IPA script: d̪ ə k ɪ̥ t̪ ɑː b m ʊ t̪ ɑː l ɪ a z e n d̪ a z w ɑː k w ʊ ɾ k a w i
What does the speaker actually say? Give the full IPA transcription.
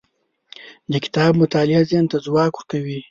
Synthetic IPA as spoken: d̪ ə k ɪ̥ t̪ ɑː b m ʊ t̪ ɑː l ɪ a z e n t̪ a z w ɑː k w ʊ ɾ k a w i